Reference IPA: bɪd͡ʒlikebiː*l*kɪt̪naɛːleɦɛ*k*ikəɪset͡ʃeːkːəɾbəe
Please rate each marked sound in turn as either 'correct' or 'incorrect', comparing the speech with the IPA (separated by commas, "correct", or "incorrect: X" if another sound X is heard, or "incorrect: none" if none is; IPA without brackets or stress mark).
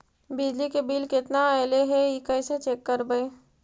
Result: correct, incorrect: none